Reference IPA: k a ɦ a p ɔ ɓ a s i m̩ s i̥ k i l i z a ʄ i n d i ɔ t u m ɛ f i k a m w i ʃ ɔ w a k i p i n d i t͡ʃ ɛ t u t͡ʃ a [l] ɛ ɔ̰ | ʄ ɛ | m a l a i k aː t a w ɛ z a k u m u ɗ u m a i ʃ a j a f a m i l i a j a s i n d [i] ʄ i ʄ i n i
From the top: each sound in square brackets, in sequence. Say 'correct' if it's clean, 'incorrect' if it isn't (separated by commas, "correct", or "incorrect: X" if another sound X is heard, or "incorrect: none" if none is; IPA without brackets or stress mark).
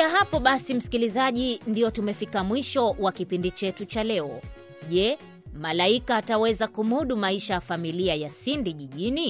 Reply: correct, correct